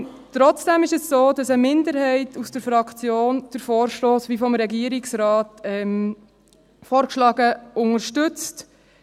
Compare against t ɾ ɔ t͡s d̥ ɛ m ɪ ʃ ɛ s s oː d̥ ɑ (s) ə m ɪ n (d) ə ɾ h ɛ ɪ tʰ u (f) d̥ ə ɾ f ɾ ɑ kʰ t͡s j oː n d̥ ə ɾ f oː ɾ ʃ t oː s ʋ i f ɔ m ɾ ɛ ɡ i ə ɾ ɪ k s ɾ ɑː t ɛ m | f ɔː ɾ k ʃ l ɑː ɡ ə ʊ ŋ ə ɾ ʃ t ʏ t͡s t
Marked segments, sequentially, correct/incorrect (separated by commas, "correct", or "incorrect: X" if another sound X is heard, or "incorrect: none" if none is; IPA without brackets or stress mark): correct, correct, incorrect: s